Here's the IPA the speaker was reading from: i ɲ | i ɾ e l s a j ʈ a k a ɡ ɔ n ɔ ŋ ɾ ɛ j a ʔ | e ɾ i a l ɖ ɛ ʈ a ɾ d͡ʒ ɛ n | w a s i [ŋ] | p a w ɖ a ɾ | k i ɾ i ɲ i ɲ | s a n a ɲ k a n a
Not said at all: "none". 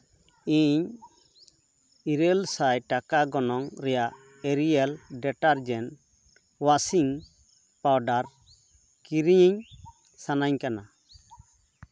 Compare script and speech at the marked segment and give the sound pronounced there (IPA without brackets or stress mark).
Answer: ŋ